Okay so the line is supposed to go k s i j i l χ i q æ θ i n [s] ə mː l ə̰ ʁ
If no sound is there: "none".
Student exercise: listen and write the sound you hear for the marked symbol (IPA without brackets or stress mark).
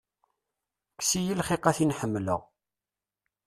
ħ